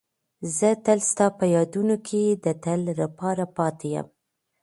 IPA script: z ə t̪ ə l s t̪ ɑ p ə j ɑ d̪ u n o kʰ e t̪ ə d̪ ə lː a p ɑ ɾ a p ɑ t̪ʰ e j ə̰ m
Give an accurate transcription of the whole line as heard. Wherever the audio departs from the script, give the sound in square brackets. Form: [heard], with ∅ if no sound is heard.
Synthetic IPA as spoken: z ə t̪ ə l s t̪ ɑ p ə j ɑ d̪ u n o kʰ e [d̪] ə [t̪] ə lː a p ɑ ɾ a p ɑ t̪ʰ e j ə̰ m